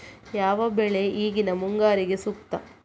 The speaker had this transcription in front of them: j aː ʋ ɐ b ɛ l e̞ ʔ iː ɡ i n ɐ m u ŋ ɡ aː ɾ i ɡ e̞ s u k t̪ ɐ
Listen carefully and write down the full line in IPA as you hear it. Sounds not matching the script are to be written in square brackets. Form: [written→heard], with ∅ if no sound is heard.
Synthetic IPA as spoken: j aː ʋ ɐ b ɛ [l→ɭ] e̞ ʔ iː ɡ i n ɐ m u ŋ ɡ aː ɾ i ɡ e̞ s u k t̪ ɐ